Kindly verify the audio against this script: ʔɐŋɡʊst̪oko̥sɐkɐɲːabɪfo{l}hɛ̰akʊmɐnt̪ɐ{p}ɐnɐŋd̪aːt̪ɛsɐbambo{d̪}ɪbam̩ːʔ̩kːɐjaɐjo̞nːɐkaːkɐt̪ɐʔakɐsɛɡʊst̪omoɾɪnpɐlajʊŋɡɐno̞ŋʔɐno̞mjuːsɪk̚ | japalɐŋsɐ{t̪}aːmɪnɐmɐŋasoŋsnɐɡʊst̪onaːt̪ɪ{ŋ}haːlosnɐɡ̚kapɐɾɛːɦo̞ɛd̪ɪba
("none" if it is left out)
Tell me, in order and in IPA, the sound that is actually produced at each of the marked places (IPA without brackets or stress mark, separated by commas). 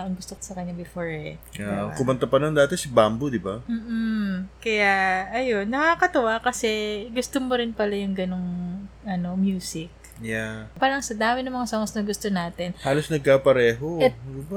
ɹ, p, d̪, d̪, n